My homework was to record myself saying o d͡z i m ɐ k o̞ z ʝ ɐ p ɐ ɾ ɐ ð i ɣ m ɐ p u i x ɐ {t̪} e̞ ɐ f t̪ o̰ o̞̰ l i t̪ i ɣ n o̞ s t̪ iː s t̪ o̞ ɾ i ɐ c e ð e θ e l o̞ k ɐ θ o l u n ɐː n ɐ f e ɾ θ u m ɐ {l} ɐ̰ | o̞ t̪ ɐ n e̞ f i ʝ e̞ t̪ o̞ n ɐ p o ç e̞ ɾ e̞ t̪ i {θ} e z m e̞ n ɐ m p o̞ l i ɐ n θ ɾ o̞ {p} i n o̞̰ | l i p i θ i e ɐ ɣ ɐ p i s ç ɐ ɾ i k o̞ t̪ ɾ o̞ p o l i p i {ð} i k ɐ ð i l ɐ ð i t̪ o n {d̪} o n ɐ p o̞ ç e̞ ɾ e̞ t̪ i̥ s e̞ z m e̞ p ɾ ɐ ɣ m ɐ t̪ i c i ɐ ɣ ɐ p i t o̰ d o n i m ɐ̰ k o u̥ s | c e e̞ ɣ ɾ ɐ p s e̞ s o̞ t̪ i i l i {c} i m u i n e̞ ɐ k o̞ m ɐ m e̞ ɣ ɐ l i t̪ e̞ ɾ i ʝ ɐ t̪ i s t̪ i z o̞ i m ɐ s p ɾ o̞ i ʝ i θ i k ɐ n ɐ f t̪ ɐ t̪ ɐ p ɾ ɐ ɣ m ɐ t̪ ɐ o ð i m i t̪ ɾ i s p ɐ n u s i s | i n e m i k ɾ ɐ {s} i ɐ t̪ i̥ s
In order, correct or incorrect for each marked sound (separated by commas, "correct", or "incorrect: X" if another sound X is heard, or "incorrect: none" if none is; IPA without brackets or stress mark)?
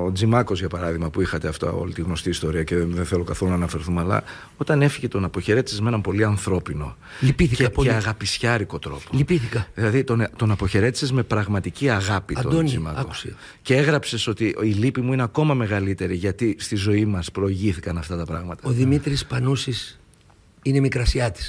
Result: correct, correct, incorrect: s, correct, incorrect: θ, incorrect: t̪, incorrect: p, correct